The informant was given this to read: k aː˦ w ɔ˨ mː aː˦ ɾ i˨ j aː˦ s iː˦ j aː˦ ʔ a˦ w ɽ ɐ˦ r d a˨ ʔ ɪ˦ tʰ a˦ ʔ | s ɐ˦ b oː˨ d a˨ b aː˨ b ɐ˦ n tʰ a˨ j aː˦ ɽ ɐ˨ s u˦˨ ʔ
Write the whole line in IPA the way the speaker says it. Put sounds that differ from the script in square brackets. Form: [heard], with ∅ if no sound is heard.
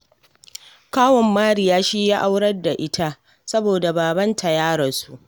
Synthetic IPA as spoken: k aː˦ w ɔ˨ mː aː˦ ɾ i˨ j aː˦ [ʃ] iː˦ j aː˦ ʔ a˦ w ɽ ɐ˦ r d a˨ ʔ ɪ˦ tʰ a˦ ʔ | s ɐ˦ b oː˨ d a˨ b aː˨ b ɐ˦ n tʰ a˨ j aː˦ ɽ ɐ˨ s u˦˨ ʔ